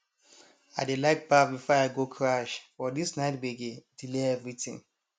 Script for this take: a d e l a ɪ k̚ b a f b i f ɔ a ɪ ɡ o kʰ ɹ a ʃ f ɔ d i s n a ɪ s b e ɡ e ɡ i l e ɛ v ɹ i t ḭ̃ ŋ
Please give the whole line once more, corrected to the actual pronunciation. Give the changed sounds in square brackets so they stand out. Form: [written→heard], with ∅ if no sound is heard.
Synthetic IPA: a d e l a ɪ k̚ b a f b i f ɔ a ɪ ɡ o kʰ ɹ a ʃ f ɔ d i s n a ɪ [s→t] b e ɡ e [ɡ→d] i l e ɛ v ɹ i t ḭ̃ ŋ